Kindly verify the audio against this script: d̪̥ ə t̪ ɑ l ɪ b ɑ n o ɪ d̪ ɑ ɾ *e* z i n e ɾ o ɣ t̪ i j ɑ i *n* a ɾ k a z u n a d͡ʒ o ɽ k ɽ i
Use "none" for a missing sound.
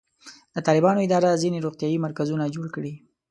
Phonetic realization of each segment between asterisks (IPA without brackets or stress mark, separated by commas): a, m